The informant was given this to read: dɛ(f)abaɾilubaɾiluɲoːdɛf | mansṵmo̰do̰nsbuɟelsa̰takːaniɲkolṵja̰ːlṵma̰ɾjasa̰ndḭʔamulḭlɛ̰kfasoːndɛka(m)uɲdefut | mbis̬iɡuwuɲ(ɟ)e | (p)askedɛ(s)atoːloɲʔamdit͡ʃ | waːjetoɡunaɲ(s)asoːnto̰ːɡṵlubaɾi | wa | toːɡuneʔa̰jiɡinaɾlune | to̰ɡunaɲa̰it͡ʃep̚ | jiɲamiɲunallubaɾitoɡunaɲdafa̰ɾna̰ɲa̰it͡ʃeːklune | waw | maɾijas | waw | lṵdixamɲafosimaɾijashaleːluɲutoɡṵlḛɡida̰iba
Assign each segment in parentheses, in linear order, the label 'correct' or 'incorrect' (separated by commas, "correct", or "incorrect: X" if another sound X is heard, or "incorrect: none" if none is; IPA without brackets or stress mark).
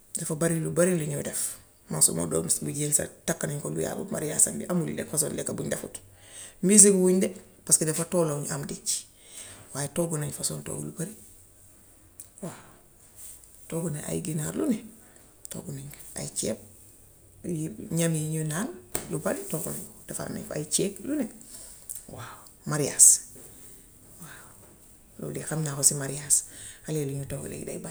correct, incorrect: b, incorrect: d, correct, incorrect: f, incorrect: f